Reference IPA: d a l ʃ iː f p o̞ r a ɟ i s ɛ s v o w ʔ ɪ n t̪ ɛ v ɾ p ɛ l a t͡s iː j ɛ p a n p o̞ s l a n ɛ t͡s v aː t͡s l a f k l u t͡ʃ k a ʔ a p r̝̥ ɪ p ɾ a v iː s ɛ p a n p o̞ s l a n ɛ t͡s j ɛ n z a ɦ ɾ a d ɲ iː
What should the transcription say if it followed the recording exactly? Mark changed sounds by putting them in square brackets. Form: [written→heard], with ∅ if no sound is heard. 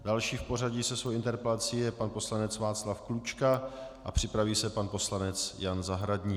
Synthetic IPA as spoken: d a l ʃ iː f p o̞ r a ɟ i s ɛ s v o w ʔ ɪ n t̪ ɛ [v→∅] ɾ p ɛ l a t͡s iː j ɛ p a n p o̞ s l a n ɛ t͡s v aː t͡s l a f k l u t͡ʃ k a ʔ a p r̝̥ ɪ p ɾ a v iː s ɛ p a n p o̞ s l a n ɛ t͡s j [ɛ→a] n z a ɦ ɾ a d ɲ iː